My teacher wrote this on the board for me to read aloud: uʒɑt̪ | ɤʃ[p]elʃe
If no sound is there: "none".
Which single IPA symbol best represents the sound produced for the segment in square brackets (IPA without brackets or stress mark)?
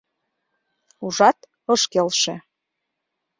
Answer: k